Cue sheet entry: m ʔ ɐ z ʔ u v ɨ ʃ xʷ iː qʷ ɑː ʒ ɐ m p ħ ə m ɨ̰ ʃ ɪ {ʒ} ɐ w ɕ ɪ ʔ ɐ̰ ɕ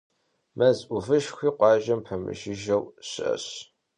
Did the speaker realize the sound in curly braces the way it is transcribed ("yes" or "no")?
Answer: yes